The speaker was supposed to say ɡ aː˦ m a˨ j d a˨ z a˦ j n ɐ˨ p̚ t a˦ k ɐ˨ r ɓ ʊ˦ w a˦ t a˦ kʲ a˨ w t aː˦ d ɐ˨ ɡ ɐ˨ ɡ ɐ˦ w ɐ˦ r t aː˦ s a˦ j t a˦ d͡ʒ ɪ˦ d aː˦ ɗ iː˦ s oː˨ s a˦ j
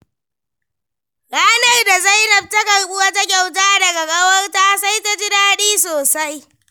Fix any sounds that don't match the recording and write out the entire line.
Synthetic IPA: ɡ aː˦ n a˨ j d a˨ z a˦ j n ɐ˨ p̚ t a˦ k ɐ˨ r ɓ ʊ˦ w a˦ t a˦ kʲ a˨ w t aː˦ d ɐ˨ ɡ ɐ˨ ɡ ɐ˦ w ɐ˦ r t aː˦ s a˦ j t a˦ d͡ʒ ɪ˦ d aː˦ ɗ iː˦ s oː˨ s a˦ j

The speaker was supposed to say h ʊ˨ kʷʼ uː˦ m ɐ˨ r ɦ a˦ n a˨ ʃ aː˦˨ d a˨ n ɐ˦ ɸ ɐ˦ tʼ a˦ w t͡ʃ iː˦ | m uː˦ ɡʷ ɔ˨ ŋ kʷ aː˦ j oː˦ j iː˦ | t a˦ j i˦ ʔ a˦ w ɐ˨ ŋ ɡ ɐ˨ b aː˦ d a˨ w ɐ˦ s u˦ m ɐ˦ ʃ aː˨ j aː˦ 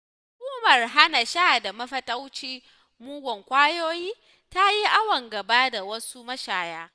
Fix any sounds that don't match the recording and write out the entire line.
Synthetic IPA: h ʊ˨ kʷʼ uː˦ m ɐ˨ r ɦ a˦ n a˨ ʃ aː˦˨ d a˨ m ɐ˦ ɸ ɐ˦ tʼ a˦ w t͡ʃ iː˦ | m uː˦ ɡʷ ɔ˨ ŋ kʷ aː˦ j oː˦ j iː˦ | t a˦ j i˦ ʔ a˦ w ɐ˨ ŋ ɡ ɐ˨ b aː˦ d a˨ w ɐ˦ s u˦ m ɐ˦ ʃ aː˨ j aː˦

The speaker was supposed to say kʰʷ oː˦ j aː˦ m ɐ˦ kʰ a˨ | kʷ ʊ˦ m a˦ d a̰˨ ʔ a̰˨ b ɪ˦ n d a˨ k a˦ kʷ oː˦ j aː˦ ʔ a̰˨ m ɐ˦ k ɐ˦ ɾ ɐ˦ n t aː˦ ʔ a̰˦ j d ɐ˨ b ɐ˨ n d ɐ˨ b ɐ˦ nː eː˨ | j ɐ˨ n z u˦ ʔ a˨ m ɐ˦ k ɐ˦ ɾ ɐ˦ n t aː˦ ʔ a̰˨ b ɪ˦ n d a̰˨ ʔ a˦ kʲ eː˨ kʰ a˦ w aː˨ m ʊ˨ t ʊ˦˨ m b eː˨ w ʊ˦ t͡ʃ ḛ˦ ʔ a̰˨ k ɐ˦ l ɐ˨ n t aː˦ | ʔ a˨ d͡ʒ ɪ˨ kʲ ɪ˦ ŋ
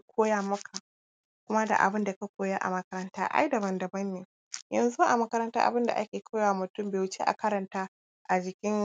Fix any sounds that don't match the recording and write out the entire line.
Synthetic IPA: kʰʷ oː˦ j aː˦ m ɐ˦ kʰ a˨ | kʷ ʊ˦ m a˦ d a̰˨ ʔ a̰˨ b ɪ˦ n d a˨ k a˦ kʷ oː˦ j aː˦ ʔ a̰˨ m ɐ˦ k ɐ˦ ɾ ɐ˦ n t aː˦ ʔ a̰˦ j d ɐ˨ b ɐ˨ n d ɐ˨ b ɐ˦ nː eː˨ | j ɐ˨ n z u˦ ʔ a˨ m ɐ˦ k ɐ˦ ɾ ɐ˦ n t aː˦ ʔ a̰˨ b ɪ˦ n d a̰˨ ʔ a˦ kʲ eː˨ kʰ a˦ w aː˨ m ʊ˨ t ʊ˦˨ m b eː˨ w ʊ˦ t͡ʃ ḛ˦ ʔ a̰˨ k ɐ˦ ɾ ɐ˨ n t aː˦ | ʔ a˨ d͡ʒ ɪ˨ kʲ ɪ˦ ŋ

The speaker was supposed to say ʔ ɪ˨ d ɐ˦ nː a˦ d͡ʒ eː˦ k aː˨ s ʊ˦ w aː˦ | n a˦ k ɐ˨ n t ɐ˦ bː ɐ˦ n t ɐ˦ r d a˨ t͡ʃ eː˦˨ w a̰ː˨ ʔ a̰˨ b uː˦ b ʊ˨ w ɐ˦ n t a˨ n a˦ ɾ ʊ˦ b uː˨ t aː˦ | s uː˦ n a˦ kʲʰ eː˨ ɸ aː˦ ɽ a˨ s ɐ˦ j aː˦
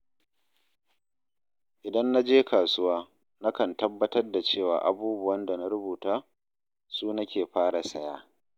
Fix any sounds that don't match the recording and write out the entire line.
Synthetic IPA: ʔ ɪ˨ d ɐ˦ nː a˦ d͡ʒ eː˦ k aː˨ s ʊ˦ w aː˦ | n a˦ k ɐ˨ n t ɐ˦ bː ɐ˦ t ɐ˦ r d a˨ t͡ʃ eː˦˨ w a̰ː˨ ʔ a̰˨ b uː˦ b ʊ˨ w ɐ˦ n d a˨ n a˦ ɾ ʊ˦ b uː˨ t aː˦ | s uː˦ n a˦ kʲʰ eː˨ ɸ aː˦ ɽ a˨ s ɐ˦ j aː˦

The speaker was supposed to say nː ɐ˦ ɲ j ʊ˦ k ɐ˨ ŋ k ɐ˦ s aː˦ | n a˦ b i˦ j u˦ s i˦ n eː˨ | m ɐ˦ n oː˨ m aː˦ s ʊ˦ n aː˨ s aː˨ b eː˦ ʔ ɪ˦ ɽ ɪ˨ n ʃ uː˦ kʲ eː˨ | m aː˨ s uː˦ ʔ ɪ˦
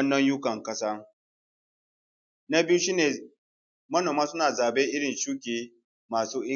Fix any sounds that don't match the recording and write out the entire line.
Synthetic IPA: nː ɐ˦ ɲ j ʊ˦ k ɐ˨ ŋ k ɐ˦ s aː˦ | n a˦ b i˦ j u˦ ʃ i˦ n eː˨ | m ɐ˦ n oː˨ m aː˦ s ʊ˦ n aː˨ z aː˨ b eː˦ ʔ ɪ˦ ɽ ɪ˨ n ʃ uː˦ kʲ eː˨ | m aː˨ s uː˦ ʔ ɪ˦

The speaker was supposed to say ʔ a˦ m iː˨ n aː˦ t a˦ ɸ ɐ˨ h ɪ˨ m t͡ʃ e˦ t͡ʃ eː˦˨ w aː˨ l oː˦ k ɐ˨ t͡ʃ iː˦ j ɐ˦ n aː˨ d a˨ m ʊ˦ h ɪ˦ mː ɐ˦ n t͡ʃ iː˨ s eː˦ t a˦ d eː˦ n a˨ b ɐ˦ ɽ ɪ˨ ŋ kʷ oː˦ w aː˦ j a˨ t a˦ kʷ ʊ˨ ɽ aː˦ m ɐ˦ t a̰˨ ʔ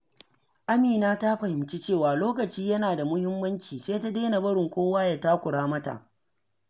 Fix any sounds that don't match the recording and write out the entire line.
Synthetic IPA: ʔ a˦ m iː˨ n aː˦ t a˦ ɸ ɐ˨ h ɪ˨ m t͡ʃ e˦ t͡ʃ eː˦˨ w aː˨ l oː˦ k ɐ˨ t͡ʃ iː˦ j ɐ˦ n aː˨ d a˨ m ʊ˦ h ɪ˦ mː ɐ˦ n t͡ʃ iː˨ s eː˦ t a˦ d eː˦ n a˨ b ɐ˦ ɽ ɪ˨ ŋ kʷ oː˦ w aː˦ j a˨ t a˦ kʷ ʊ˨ ɽ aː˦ m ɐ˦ t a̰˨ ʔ

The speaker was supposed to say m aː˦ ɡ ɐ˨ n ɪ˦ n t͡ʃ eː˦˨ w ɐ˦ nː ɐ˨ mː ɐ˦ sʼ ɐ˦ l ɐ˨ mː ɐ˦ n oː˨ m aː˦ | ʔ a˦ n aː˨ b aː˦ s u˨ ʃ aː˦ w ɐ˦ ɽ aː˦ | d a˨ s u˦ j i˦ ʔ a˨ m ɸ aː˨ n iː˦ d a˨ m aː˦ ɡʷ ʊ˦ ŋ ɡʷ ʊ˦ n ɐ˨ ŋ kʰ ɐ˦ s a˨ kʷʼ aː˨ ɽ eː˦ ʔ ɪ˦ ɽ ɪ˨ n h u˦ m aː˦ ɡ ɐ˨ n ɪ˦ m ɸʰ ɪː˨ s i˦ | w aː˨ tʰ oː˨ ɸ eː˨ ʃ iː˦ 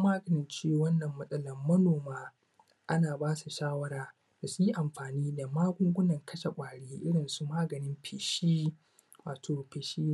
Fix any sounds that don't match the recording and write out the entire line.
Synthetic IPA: m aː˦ ɡ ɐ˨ n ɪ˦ n t͡ʃ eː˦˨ w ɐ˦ nː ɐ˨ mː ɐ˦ sʼ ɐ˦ l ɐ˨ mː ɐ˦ n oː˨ m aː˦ | ʔ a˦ n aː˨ b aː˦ s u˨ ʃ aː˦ w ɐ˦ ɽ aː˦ | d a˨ s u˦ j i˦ ʔ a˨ m ɸ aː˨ n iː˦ d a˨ m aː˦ ɡʷ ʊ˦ ŋ ɡʷ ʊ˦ n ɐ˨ ŋ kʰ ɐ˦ ʃ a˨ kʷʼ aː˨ ɽ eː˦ ʔ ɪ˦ ɽ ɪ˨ n s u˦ m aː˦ ɡ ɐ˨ n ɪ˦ m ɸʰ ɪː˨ ʃ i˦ | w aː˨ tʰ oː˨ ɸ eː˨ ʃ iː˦

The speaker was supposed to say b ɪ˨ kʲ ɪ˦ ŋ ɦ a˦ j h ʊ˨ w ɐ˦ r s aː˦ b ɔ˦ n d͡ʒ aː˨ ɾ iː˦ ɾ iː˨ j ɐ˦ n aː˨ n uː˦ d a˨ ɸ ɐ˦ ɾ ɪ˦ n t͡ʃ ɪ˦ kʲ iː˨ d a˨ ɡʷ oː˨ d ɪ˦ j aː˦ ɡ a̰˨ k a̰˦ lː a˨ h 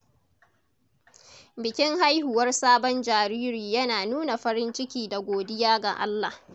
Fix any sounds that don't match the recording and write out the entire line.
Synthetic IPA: b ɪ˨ kʲ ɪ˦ ŋ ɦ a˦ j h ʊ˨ w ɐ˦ r s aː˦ b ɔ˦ n d͡ʒ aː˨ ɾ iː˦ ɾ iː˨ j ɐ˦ n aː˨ n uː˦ n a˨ ɸ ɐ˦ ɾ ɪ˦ n t͡ʃ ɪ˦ kʲ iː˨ d a˨ ɡʷ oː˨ d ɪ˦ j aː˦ ɡ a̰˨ ʔ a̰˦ lː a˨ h

